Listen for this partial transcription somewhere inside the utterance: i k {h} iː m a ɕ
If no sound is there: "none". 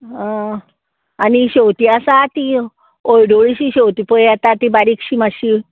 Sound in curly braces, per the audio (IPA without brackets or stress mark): ɕ